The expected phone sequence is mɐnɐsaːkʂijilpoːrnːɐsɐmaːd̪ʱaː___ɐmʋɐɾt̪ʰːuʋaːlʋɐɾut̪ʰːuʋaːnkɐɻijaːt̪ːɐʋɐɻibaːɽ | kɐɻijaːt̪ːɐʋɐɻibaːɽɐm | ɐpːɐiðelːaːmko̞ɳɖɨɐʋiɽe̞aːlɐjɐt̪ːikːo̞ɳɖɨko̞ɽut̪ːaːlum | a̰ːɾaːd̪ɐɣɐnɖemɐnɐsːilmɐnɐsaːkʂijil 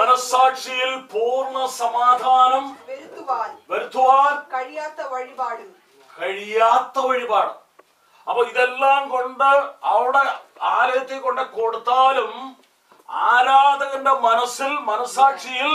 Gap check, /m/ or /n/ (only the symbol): n